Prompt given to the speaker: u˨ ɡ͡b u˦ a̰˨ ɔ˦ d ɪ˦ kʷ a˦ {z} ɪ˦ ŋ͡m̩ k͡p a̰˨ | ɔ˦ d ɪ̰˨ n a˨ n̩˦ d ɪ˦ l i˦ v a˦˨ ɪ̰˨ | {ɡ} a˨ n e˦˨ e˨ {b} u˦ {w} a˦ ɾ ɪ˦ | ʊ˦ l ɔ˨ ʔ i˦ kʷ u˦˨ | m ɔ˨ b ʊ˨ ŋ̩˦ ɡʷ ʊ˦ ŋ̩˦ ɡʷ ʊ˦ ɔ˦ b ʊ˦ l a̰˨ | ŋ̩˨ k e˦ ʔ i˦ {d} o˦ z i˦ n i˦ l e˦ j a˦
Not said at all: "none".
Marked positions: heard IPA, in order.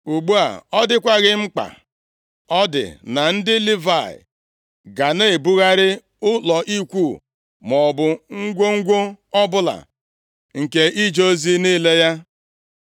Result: ɣ, ɡ, b, ɣ, d͡ʒ

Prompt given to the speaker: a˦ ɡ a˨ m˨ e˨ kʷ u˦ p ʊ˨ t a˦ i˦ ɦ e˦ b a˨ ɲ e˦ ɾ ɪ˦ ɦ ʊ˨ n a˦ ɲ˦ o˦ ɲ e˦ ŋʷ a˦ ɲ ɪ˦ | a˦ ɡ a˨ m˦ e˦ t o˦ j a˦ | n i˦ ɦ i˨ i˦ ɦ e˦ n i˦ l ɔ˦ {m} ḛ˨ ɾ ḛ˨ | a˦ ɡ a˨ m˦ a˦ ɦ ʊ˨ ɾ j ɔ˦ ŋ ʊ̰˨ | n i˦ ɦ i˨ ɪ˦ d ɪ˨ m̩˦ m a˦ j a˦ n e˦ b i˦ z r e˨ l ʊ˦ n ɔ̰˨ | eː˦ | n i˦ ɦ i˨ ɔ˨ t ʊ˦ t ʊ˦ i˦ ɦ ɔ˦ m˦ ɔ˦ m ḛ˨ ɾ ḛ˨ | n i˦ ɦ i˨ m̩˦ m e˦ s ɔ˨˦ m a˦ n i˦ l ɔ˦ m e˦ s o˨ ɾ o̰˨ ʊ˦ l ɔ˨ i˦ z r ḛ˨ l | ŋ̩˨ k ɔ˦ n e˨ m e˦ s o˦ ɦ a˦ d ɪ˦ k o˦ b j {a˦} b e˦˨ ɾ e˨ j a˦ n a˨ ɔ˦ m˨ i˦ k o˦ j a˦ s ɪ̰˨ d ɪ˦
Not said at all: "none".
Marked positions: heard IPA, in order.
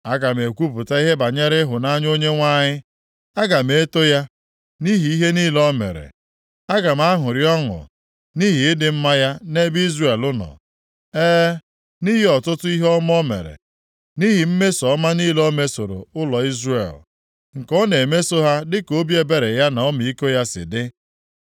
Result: m, e˦

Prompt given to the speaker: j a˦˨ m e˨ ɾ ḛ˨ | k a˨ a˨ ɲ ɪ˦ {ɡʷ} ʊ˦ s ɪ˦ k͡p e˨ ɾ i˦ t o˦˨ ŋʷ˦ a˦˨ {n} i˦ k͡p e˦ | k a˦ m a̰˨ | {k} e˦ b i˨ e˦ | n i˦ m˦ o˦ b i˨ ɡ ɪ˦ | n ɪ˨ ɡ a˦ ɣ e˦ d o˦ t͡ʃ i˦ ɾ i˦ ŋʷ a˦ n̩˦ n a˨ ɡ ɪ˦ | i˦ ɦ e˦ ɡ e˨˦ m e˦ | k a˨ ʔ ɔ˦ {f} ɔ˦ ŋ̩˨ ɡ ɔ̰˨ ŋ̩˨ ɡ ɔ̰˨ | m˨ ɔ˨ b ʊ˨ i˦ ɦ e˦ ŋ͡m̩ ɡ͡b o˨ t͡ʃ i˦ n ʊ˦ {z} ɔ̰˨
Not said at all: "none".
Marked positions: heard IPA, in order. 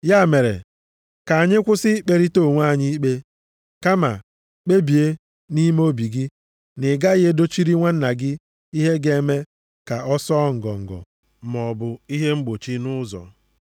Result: kʷ, ɲ, k͡p, s, z

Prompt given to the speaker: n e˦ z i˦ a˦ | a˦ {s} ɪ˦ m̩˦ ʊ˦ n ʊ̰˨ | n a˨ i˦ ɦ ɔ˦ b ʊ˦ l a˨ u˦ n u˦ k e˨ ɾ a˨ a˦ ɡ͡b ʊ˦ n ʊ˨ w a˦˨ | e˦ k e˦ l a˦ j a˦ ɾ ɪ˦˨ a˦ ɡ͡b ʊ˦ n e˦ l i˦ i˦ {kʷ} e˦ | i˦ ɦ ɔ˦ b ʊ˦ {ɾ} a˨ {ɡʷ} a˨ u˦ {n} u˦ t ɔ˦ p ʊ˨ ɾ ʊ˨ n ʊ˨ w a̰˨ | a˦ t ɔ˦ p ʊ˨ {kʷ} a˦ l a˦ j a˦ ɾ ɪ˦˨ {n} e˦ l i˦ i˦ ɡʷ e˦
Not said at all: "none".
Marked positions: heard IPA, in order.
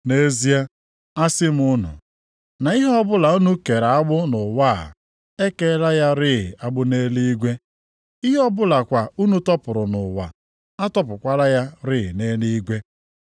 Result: s, ɡʷ, l, kʷ, n, kʷ, n

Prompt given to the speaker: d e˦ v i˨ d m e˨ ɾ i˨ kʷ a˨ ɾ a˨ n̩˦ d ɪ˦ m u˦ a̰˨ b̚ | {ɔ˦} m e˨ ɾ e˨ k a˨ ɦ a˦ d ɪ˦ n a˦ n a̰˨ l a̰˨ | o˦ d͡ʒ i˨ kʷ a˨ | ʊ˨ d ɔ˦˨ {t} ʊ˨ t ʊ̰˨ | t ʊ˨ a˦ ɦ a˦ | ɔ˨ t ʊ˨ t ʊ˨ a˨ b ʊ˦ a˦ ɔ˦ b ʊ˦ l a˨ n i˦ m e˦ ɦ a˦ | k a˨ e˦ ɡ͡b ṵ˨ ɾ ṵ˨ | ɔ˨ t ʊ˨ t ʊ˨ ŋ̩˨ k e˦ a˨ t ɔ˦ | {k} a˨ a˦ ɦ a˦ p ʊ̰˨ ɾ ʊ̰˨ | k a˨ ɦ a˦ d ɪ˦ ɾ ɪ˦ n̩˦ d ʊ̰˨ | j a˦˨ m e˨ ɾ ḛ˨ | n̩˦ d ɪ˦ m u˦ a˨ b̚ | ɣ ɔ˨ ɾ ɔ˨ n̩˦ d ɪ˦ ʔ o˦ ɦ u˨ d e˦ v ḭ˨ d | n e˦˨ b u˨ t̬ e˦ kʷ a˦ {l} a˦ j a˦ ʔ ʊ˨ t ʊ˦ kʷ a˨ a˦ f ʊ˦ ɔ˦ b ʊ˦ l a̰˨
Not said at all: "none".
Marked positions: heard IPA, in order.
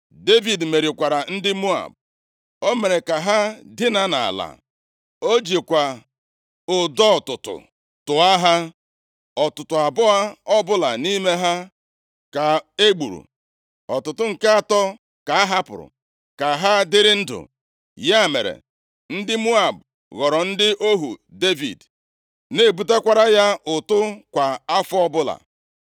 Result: o˦, t, k, ɾ

